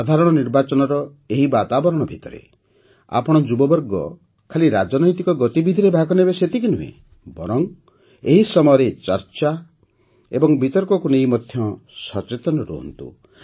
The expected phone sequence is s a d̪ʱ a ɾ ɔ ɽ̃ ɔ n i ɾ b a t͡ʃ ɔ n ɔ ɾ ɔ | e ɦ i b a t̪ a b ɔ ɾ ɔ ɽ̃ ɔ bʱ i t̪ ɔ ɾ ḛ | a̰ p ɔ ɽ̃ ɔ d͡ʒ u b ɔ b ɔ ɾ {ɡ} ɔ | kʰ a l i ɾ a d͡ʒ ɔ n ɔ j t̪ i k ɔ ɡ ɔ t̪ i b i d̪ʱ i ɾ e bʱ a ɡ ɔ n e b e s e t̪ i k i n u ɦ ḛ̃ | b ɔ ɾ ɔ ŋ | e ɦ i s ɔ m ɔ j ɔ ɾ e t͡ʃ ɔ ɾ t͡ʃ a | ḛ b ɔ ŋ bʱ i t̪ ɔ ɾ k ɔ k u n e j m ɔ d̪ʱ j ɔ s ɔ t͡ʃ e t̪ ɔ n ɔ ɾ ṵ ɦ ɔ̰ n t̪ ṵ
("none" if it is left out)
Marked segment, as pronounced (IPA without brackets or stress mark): ɡ